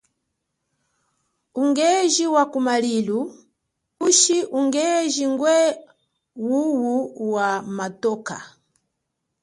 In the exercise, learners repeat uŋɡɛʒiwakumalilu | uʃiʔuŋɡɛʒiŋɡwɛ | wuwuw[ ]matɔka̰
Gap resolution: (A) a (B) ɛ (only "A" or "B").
A